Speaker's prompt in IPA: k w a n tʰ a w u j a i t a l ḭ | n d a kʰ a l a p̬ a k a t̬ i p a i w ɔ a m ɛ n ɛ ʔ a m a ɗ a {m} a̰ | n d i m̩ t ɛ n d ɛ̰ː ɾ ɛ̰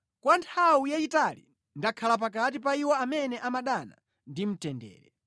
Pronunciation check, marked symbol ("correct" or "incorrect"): incorrect